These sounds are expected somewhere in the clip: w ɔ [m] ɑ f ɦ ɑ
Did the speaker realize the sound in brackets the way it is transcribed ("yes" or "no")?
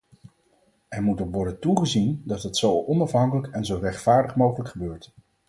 no